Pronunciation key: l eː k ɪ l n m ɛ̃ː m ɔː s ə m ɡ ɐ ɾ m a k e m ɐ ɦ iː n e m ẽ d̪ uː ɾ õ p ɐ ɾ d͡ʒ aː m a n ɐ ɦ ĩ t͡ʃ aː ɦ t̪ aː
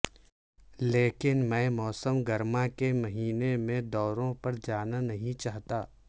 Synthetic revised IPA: l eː k ɪ n m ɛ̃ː m ɔː s ə m ɡ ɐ ɾ m a k e m ɐ ɦ iː n e m ẽ d̪ ɔː ɾ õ p ɐ ɾ d͡ʒ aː n a n ɐ ɦ ĩ t͡ʃ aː ɦ t̪ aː